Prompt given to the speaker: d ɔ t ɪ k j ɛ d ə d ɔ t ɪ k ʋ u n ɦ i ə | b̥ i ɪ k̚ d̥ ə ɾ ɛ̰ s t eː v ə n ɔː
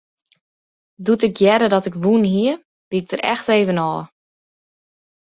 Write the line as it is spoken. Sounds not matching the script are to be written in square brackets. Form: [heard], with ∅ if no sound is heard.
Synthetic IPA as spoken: d [u] t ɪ k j ɛ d ə d ɔ t ɪ k ʋ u n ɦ i ə | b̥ i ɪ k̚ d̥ ə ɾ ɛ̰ [x] t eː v ə n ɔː